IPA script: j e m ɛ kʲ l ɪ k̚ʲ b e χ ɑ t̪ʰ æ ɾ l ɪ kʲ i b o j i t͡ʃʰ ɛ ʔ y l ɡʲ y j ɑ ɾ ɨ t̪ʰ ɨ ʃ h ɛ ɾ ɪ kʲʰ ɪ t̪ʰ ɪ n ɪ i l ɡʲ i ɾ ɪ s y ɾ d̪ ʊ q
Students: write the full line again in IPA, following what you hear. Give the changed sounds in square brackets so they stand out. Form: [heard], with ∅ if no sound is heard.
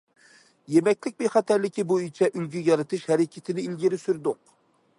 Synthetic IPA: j e m ɛ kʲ l ɪ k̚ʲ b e χ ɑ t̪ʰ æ ɾ l ɪ kʲ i b o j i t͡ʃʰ ɛ ʔ y l ɡʲ y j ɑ ɾ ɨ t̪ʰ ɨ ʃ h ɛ ɾ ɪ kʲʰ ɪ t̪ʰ ɪ n ɪ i l ɡʲ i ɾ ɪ s y ɾ d̪ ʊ q